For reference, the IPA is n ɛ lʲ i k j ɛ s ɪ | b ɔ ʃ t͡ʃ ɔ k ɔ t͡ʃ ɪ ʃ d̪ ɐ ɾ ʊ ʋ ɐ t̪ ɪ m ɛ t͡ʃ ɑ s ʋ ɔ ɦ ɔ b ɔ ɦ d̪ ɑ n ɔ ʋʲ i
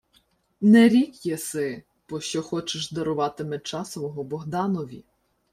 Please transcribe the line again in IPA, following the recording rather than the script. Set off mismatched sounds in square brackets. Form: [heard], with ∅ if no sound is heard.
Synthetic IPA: n ɛ [ɾʲ] i k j ɛ s ɪ | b ɔ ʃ t͡ʃ ɔ [x] ɔ t͡ʃ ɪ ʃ d̪ ɐ ɾ ʊ ʋ [ɑ] t̪ ɪ m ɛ t͡ʃ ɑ s ʋ ɔ ɦ ɔ b ɔ ɦ d̪ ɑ n ɔ ʋʲ i

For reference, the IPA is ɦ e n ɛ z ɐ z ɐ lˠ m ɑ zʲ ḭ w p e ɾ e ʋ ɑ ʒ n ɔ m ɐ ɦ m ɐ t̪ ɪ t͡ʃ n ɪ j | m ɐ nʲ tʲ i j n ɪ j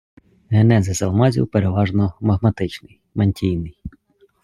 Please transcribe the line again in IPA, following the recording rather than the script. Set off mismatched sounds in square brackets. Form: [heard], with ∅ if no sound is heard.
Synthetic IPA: ɦ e n ɛ z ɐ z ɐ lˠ m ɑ zʲ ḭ w p e ɾ e ʋ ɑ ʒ n ɔ m ɐ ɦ m ɐ t̪ ɪ t͡ʃ n ɪ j | m ɐ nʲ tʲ i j n ɪ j

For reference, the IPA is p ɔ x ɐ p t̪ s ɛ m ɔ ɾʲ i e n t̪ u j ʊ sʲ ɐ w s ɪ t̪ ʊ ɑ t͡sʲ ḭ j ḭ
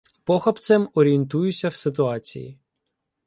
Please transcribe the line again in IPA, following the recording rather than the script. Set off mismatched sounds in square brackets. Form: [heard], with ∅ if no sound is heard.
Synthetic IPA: p ɔ x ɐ p t̪ s ɛ m ɔ ɾʲ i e n t̪ u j ʊ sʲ ɐ w s ɪ t̪ ʊ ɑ t͡sʲ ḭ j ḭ

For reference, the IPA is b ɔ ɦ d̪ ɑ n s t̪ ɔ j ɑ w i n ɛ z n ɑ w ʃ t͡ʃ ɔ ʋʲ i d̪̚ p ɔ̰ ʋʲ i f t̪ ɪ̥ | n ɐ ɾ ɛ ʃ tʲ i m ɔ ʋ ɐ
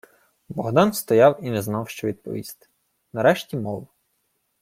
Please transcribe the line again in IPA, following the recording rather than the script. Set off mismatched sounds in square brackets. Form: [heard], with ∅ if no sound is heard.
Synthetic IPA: b ɔ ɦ d̪ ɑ n s t̪ ɔ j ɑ w i n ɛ z n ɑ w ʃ t͡ʃ ɔ ʋʲ i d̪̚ p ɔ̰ ʋʲ i [s] t̪ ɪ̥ | n ɐ ɾ ɛ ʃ tʲ i m ɔ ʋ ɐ

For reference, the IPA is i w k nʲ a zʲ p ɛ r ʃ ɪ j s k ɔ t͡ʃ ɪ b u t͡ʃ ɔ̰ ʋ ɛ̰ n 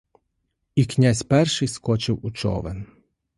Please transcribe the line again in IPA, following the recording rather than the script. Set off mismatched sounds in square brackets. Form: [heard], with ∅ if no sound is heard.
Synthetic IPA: i [∅] k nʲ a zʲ p ɛ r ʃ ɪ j s k ɔ t͡ʃ ɪ [w] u t͡ʃ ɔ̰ ʋ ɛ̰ n

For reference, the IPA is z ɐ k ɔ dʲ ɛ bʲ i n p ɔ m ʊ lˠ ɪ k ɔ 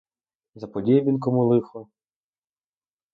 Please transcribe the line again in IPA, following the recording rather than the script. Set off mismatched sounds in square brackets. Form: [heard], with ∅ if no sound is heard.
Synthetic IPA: z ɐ [p] ɔ dʲ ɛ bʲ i n [k] ɔ m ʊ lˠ ɪ [x] ɔ

